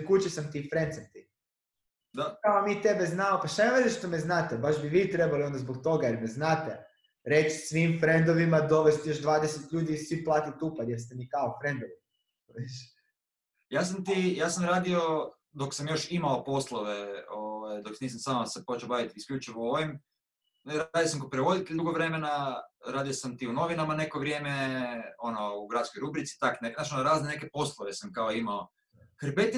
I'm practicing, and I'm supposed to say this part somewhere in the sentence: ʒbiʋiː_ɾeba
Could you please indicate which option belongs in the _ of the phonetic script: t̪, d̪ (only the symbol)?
t̪